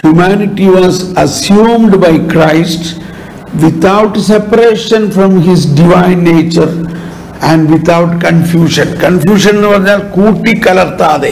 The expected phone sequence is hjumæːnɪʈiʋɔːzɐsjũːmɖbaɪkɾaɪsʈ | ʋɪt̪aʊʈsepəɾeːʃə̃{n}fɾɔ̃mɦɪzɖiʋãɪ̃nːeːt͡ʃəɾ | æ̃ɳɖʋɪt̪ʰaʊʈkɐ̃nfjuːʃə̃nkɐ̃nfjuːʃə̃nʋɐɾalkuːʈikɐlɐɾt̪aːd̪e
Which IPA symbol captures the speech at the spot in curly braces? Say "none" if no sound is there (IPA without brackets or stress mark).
n